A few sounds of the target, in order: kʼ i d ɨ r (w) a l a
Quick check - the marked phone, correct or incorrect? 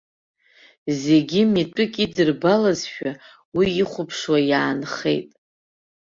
incorrect